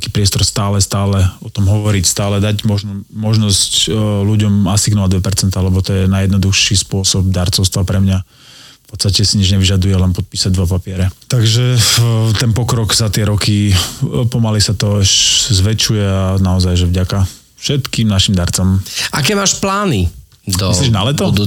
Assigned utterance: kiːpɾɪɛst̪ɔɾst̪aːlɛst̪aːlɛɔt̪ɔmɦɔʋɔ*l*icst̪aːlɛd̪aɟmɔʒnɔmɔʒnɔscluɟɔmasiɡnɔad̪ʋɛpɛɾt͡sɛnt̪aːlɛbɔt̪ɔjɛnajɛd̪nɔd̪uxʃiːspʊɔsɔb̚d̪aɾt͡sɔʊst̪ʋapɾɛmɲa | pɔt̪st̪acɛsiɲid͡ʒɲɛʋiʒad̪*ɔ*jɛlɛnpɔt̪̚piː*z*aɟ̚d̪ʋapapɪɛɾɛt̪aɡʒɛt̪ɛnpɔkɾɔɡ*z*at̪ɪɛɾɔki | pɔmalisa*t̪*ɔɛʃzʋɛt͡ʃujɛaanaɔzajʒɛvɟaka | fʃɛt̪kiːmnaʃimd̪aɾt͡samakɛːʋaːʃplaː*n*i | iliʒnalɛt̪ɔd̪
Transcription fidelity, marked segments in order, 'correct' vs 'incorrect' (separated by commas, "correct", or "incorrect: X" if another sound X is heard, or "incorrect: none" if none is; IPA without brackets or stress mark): incorrect: ɾ, incorrect: u, incorrect: s, correct, correct, correct